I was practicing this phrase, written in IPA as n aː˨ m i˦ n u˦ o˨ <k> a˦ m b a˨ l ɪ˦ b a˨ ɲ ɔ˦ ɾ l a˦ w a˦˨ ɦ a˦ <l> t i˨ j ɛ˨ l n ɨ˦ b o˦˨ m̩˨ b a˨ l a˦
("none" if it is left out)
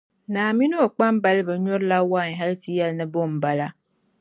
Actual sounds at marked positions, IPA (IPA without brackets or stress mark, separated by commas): k͡p, l